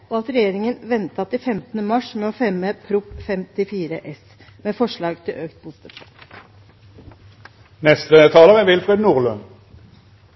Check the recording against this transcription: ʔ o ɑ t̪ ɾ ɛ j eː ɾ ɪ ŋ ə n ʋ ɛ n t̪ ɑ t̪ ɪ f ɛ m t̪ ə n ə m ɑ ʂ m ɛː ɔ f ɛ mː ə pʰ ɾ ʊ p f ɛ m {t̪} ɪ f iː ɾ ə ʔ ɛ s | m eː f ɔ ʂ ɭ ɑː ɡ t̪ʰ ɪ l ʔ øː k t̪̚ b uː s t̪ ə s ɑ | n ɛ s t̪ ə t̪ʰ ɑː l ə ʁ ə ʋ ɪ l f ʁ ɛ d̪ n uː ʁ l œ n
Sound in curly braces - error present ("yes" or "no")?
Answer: no